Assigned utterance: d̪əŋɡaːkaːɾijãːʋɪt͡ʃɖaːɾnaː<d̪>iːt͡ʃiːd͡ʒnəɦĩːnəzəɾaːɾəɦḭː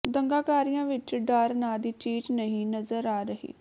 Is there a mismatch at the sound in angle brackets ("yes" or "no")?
no